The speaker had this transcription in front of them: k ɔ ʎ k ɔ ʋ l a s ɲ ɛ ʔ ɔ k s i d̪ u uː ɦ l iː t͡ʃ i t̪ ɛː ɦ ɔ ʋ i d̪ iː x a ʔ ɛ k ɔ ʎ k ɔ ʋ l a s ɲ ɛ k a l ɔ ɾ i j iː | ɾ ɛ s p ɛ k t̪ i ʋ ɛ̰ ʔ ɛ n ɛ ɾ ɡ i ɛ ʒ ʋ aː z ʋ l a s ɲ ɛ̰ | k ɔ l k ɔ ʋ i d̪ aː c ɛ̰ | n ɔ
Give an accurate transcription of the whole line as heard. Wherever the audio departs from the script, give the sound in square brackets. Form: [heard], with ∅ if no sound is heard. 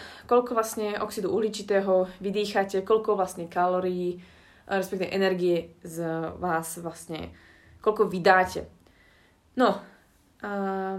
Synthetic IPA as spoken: k ɔ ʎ k ɔ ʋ l a s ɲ ɛ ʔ ɔ k s i d̪ u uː ɦ l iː t͡ʃ i t̪ ɛː ɦ ɔ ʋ i d̪ iː x a [c] ɛ k ɔ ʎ k ɔ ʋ l a s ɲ ɛ k a l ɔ ɾ i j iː | ɾ ɛ s p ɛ k t̪ i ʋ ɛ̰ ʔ ɛ n ɛ ɾ ɡ i ɛ [z] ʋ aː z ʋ l a s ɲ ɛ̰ | k ɔ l k ɔ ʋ i d̪ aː c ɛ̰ | n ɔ